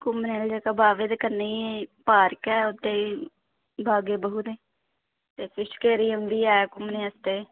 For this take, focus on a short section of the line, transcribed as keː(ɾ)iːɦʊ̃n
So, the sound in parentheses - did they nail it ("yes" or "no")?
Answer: yes